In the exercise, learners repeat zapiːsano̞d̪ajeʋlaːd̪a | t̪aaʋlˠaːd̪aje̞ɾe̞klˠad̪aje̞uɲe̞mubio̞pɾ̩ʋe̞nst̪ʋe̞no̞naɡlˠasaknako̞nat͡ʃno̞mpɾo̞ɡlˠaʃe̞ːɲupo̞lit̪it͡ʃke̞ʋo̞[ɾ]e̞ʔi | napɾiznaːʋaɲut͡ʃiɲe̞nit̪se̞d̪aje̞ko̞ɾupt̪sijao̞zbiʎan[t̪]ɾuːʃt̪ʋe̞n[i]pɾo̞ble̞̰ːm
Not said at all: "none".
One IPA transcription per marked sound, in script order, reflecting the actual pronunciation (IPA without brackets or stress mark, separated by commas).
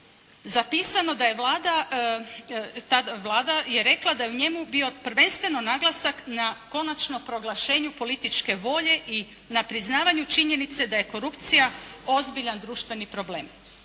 ʎ, d̪, i